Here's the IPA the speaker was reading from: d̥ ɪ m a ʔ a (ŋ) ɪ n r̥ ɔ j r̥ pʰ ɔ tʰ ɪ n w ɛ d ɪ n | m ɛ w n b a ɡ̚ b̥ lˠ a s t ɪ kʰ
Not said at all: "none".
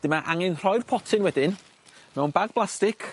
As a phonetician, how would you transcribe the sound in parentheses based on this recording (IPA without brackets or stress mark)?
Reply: ŋ